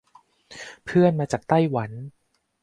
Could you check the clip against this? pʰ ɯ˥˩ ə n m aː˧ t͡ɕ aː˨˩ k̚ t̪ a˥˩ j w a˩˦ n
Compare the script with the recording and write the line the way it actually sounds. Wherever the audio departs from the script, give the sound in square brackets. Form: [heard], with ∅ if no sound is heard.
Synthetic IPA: pʰ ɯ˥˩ ə n m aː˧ t͡ɕ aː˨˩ k̚ t̪ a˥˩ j w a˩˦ n